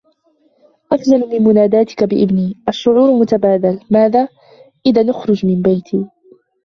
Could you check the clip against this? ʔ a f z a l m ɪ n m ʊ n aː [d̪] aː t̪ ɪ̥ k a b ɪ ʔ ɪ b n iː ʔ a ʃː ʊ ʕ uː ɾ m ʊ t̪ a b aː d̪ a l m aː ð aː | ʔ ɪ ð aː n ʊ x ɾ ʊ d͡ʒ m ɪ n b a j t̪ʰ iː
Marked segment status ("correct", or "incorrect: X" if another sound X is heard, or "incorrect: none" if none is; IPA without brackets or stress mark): correct